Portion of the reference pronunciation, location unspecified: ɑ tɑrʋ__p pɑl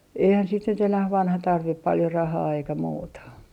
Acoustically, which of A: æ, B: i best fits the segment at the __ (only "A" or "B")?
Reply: B